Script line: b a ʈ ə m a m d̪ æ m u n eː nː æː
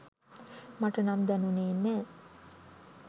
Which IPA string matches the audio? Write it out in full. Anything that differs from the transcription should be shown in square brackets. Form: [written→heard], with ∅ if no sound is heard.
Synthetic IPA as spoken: [b→m] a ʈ ə [m→n] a m d̪ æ [m→n] u n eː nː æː